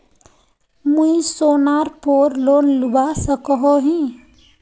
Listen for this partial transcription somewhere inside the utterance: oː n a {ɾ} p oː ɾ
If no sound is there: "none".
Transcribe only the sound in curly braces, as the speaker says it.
ɾ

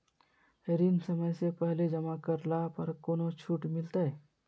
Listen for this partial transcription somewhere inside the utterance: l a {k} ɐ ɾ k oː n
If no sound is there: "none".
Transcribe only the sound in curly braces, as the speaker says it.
p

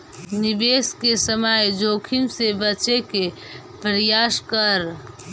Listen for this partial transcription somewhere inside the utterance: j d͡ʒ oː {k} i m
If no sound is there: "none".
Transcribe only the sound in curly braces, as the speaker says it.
kʰ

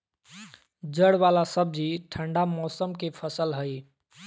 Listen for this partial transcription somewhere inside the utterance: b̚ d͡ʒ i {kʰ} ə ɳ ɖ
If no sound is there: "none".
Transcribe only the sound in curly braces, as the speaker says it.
ʈʰ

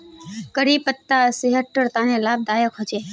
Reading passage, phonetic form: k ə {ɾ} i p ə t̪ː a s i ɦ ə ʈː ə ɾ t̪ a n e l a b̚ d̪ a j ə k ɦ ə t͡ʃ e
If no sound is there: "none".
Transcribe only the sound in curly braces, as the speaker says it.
ɾ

